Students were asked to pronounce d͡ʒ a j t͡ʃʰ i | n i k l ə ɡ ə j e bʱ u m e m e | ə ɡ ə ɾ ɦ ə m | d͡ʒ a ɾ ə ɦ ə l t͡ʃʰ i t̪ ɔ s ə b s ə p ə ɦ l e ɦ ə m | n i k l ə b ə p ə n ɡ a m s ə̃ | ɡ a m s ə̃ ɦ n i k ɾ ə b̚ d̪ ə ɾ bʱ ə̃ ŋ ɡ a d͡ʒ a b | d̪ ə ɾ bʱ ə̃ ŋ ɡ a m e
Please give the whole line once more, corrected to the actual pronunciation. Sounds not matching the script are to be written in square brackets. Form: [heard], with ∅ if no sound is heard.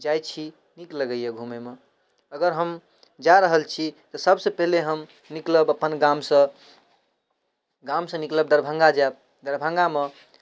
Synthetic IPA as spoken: d͡ʒ a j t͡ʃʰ i | n i k l ə ɡ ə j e [ɡʱ] u m e m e | ə ɡ ə ɾ ɦ ə m | d͡ʒ a ɾ ə ɦ ə l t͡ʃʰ i t̪ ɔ s ə b s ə p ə ɦ l e ɦ ə m | n i k l ə b ə p ə n ɡ a m s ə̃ | ɡ a m s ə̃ [∅] n i k [l] ə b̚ d̪ ə ɾ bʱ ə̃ ŋ ɡ a d͡ʒ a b | d̪ ə ɾ bʱ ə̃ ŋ ɡ a m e